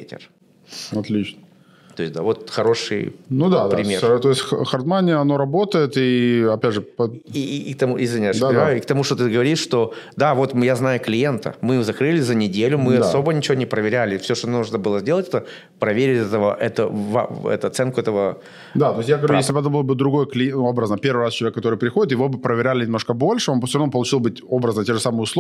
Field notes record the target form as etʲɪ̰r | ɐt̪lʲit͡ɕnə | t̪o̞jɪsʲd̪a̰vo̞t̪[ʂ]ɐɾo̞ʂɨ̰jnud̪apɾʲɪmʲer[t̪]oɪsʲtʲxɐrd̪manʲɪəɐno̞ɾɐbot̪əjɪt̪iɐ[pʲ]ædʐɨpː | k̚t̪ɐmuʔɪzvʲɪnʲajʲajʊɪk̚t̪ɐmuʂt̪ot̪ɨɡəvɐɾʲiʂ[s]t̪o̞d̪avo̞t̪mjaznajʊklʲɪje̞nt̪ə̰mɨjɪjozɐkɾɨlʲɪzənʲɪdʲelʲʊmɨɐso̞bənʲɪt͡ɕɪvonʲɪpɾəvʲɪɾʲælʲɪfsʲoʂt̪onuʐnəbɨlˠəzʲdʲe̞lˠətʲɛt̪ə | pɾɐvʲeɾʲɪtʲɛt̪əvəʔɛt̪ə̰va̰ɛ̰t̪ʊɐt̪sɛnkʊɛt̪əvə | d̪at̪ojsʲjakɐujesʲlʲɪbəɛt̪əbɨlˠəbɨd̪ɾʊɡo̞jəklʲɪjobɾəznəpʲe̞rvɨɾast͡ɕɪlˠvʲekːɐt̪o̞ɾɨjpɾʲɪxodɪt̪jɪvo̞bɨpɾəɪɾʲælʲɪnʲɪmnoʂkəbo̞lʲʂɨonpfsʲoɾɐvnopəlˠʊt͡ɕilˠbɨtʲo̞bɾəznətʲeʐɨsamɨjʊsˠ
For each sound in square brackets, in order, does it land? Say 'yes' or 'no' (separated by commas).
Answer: no, yes, yes, no